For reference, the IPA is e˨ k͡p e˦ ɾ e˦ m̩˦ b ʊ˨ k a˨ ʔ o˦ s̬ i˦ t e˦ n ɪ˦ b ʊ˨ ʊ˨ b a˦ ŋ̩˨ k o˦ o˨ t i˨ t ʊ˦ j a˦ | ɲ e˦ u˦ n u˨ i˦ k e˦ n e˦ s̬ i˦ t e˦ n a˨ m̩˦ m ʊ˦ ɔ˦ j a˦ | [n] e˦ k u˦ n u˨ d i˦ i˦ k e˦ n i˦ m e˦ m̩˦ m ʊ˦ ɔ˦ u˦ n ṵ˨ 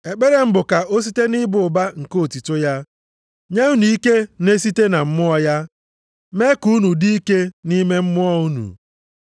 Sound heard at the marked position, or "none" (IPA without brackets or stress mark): m